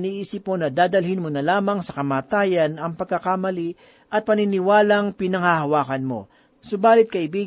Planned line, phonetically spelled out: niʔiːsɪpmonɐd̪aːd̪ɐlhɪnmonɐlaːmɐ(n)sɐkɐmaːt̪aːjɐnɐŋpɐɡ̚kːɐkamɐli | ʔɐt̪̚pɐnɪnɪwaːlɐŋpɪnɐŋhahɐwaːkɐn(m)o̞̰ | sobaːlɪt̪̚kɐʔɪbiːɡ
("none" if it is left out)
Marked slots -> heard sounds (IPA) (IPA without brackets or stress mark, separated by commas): ŋ, m